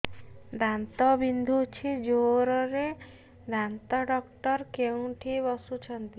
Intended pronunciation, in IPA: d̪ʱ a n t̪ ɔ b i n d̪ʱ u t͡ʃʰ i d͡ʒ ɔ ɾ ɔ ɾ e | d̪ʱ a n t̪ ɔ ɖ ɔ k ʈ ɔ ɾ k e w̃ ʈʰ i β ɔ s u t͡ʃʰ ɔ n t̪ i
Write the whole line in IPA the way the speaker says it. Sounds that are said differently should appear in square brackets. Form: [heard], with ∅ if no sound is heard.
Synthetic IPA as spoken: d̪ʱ a n t̪ ɔ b i n d̪ʱ u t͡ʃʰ i d͡ʒ [o] ɾ ɔ ɾ e | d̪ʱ a n t̪ ɔ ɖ ɔ k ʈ ɔ ɾ k e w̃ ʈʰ i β ɔ s u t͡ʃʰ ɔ n t̪ i